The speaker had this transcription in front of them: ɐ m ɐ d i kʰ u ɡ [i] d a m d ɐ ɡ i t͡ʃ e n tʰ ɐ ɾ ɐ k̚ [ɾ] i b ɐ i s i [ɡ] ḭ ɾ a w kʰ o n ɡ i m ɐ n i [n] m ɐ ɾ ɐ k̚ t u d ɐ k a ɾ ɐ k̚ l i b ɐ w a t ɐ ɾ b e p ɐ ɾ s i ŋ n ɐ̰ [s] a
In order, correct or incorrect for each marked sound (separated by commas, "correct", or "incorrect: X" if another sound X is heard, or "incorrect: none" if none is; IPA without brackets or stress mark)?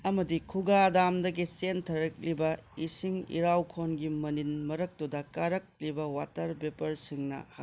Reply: incorrect: a, incorrect: l, incorrect: ŋ, correct, incorrect: h